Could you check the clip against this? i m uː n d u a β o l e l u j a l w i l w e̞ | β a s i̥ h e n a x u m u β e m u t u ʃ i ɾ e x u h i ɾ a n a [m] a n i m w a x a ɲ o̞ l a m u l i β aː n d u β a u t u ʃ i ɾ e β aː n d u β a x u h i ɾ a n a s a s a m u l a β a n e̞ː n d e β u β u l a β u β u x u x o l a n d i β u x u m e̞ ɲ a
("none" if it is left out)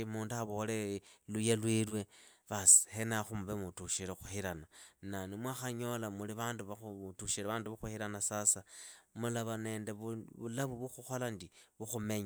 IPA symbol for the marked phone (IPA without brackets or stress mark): n